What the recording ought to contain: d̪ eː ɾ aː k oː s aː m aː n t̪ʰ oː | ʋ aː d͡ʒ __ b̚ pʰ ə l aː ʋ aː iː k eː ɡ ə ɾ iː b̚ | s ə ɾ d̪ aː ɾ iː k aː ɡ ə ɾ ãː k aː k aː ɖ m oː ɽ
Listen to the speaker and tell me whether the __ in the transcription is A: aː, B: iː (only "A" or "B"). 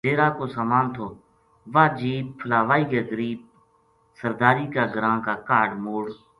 B